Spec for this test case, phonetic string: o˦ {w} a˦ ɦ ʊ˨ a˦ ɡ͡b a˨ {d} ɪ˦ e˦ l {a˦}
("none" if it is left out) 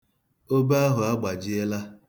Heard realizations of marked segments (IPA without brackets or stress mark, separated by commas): b, d͡ʒ, a˦